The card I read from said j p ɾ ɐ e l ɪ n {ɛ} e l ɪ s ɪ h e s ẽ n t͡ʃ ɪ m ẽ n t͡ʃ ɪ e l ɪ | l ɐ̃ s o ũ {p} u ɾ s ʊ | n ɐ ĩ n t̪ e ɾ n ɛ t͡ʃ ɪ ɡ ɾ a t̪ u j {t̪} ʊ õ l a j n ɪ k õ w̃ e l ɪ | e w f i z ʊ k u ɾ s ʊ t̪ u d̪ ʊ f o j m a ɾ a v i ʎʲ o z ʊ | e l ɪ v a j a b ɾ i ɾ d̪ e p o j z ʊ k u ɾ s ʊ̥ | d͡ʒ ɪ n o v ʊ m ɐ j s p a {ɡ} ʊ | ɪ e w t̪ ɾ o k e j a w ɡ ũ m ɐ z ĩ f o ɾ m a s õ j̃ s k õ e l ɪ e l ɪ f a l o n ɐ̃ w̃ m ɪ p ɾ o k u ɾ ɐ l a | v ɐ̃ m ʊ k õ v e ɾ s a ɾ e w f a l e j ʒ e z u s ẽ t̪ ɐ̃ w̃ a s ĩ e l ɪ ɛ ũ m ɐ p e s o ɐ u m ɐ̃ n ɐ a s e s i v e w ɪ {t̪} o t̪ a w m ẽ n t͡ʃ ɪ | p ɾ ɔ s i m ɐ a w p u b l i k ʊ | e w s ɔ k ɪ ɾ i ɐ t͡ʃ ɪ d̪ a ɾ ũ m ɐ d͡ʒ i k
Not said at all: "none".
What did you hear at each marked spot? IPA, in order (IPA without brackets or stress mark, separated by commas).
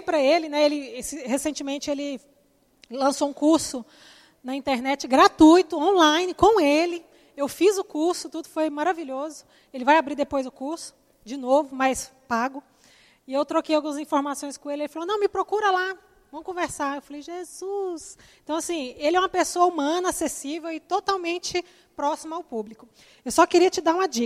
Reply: ɛ, k, t̪, ɡ, t̪